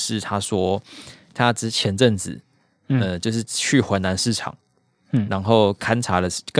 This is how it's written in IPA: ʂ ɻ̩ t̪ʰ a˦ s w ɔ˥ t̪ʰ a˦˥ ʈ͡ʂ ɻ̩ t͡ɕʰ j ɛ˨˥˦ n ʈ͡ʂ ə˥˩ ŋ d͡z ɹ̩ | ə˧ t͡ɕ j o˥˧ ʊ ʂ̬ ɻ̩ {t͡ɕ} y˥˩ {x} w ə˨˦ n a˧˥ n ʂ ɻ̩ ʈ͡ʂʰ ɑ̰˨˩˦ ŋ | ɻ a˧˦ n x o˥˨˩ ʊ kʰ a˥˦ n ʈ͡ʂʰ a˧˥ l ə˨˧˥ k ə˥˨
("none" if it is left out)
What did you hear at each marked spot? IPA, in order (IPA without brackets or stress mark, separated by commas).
t͡ɕʰ, x